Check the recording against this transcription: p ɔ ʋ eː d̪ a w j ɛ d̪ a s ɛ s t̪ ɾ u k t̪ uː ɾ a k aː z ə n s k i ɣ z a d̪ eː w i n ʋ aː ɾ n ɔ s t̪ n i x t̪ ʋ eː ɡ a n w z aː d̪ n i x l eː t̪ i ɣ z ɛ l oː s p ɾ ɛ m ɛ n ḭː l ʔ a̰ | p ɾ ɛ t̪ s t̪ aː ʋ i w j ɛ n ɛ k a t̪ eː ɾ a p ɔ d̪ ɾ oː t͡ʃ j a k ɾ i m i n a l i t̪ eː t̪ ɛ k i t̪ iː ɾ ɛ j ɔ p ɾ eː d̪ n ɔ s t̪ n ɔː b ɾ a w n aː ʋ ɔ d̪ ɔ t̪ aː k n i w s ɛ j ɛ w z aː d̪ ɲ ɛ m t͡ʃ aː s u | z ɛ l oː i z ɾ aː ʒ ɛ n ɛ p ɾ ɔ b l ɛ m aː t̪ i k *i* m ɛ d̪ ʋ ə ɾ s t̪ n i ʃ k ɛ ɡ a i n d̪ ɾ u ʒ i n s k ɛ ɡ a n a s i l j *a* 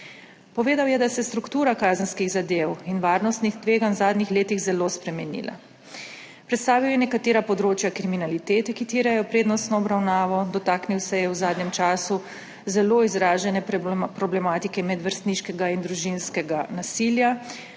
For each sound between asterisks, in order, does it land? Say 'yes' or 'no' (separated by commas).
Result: no, yes